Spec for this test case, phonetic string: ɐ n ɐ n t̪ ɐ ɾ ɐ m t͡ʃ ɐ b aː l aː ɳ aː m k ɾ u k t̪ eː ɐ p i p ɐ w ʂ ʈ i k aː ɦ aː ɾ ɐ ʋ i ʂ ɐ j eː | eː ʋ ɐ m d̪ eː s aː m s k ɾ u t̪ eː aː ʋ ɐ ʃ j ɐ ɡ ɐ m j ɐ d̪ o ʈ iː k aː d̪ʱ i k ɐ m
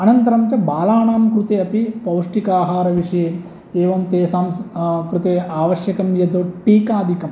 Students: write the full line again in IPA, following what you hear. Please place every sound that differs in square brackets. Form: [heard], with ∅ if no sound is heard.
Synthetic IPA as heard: ɐ n ɐ n t̪ ɐ ɾ ɐ m t͡ʃ ɐ b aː l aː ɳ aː m k ɾ u [∅] t̪ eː ɐ p i p ɐ w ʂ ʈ i k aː ɦ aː ɾ ɐ ʋ i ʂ ɐ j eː | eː ʋ ɐ m [t̪] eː s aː m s k ɾ u t̪ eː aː ʋ ɐ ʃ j ɐ [k] ɐ m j ɐ d̪ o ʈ iː k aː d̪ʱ i k ɐ m